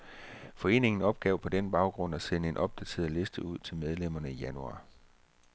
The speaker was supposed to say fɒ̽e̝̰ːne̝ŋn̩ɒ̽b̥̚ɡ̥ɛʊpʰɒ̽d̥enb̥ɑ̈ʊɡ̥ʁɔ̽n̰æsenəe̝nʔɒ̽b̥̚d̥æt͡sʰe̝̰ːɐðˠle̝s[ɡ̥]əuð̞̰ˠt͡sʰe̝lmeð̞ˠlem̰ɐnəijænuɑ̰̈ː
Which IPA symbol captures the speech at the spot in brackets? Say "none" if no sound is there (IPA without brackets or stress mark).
d̥